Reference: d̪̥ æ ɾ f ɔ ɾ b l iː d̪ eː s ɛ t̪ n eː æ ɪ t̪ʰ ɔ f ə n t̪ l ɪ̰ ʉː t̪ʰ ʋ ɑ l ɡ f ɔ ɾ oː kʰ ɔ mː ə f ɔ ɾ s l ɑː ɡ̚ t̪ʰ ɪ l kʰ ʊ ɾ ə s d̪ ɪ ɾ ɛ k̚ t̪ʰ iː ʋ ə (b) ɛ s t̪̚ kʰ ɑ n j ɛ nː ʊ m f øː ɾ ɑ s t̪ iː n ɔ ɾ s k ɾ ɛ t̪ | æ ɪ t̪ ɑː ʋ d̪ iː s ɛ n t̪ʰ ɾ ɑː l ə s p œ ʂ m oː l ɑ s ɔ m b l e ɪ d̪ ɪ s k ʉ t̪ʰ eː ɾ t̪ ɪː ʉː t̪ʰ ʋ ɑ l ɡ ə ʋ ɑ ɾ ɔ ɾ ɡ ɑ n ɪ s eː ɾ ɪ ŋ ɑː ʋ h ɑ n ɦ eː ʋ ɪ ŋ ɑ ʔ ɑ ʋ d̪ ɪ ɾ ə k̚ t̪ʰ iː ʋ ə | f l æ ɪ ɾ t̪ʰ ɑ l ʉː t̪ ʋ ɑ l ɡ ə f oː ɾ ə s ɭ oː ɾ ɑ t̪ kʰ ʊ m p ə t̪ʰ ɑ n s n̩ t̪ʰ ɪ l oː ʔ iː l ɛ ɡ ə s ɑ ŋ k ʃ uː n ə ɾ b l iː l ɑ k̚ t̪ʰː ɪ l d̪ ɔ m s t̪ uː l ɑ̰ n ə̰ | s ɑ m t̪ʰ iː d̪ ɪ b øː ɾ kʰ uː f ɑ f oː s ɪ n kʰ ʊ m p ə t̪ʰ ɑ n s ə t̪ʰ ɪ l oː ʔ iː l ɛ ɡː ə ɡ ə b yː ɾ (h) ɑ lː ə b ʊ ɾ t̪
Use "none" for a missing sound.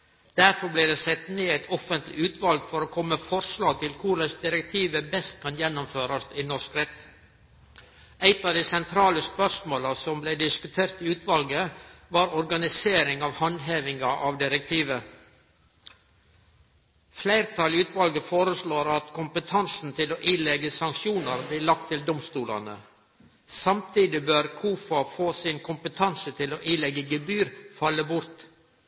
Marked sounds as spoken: b, f

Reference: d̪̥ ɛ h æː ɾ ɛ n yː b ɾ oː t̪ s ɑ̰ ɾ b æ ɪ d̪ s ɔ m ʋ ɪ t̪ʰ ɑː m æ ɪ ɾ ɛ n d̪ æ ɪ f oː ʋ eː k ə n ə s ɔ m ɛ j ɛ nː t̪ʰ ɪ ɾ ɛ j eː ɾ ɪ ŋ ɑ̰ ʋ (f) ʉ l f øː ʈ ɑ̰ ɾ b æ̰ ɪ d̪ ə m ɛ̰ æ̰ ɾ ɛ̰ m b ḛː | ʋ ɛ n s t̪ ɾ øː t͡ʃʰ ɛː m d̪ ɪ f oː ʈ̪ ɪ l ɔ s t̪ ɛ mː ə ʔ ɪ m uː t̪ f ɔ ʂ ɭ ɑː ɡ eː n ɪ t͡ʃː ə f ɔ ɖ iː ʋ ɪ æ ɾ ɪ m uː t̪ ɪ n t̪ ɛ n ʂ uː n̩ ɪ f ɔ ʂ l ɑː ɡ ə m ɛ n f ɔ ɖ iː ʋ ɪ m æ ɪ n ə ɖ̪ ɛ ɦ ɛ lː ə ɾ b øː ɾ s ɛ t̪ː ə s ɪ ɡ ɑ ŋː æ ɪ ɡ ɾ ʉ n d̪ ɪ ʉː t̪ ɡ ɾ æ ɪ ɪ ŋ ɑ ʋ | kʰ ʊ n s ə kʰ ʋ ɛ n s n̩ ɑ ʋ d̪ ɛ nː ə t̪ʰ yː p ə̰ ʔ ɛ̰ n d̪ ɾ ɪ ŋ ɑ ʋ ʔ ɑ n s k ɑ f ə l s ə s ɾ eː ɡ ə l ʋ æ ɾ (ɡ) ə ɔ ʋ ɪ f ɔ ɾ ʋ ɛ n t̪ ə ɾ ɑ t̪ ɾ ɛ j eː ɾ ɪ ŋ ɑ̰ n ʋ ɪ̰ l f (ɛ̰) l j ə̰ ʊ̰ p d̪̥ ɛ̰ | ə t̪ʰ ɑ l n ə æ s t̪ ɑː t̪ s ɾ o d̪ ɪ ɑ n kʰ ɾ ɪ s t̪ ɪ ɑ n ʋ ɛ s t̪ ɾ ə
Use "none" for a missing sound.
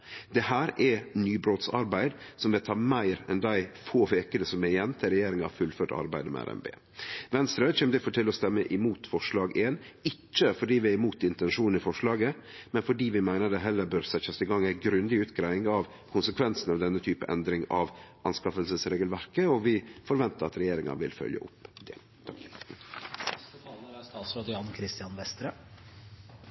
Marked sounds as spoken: f, k, œ̰

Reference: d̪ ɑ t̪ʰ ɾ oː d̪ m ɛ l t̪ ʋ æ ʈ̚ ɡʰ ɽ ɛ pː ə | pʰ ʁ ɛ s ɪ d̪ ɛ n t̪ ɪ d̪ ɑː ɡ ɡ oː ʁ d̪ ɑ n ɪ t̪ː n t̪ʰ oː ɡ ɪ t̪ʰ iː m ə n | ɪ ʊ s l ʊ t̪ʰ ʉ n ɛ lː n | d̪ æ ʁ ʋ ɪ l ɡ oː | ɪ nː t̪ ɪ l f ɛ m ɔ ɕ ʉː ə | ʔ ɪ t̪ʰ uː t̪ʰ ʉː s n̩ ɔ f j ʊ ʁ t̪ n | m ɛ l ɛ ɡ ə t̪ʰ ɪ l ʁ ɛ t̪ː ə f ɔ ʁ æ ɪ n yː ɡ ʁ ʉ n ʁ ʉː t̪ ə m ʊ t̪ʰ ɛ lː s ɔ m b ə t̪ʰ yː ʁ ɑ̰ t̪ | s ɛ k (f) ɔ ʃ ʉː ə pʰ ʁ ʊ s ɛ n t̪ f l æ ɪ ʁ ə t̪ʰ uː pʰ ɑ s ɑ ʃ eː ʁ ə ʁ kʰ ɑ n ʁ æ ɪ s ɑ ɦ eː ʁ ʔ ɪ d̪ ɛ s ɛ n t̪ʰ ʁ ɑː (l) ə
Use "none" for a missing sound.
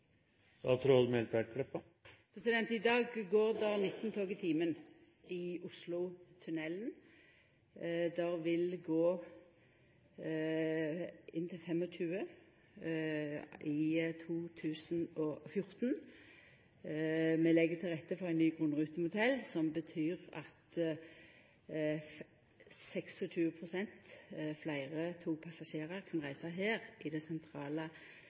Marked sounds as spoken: s, l

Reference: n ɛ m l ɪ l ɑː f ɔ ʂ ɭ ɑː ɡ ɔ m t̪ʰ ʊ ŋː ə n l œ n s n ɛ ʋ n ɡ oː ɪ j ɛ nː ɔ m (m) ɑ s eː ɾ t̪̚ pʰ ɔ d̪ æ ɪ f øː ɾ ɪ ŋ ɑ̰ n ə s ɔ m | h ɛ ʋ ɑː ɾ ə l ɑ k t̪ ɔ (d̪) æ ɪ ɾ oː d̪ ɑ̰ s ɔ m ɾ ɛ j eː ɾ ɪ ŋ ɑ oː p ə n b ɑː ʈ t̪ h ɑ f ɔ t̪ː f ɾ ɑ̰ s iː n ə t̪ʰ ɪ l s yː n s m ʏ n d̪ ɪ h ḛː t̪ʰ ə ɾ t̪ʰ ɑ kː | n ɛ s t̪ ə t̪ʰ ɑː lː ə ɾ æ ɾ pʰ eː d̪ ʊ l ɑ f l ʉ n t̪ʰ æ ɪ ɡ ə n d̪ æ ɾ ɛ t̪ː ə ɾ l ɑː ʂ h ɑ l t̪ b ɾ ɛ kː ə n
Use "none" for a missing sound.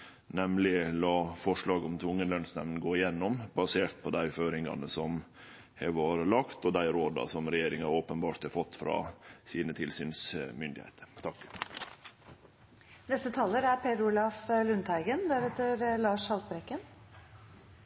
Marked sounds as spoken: b, d̪

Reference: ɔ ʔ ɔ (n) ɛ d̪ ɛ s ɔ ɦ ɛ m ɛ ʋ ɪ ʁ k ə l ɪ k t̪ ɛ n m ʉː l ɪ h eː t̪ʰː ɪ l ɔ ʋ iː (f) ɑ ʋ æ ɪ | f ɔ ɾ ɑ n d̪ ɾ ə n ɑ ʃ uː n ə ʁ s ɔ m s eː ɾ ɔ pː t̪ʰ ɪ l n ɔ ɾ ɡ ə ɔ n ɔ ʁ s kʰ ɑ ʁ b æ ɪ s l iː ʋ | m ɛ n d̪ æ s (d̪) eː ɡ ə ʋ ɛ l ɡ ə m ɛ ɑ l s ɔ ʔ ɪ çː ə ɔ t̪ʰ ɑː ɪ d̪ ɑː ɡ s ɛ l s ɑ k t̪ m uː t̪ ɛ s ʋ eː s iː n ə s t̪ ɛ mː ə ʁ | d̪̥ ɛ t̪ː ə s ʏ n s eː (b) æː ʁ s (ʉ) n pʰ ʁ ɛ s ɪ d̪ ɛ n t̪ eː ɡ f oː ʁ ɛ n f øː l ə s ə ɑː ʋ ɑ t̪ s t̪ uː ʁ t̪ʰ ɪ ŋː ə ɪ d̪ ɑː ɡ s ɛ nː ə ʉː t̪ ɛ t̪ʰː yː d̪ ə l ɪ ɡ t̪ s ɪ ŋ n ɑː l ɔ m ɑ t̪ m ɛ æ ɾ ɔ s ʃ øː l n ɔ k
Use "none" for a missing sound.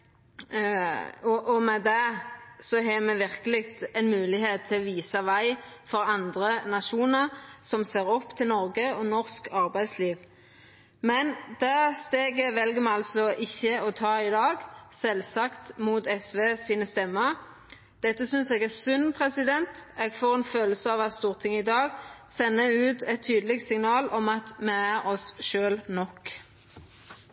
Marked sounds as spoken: m, s, t̪, ɡ, ʉ

